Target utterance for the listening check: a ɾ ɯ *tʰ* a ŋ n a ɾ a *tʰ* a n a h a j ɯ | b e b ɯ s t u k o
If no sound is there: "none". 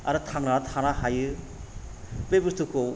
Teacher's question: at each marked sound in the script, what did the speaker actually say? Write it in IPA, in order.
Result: tʰ, tʰ

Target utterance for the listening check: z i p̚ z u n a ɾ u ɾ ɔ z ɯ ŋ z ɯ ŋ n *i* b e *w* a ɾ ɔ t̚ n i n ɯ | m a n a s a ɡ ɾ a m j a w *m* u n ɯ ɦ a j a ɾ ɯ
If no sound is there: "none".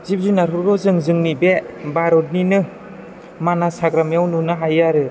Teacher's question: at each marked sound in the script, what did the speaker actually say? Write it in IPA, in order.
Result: i, b, n

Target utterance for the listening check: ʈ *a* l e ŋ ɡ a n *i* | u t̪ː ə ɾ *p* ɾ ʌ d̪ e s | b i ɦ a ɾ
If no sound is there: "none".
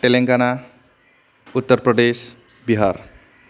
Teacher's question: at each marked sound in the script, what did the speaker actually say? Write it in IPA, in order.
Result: e, a, p

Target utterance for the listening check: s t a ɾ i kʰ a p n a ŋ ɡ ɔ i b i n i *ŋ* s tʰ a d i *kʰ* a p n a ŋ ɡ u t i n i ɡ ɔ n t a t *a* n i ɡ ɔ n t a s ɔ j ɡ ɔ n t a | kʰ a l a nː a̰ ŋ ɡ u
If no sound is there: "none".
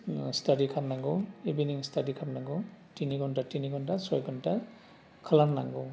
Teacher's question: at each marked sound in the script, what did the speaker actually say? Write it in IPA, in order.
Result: ŋ, kʰ, i

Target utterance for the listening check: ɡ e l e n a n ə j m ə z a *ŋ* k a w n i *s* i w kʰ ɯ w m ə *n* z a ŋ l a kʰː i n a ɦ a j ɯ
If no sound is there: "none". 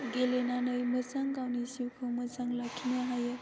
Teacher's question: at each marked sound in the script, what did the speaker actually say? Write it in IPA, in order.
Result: ŋ, s, none

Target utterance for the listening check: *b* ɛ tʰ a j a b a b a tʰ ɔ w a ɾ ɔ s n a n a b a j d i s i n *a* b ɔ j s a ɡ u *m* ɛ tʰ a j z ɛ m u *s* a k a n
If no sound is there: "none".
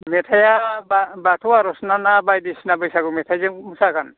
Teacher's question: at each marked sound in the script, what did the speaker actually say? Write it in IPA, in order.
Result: m, a, m, s

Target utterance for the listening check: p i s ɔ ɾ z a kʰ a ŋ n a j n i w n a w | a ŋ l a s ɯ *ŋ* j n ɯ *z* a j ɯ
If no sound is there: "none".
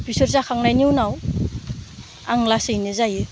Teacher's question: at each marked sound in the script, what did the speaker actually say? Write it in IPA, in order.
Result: none, z

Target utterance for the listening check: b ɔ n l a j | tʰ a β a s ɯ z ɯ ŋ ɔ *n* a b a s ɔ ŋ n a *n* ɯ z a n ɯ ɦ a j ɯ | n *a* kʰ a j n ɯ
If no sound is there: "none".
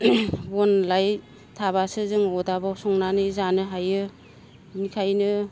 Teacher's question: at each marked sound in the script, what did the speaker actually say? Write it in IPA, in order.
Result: d, n, i

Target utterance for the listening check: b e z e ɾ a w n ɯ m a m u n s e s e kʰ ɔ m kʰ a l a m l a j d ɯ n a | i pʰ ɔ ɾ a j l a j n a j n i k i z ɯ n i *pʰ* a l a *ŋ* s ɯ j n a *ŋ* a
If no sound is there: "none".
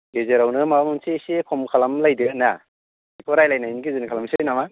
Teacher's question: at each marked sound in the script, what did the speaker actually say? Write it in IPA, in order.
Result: kʰ, m, m

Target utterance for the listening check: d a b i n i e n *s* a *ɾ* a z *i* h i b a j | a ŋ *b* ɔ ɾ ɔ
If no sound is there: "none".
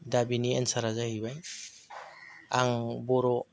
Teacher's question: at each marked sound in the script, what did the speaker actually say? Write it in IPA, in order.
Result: s, ɾ, a, b

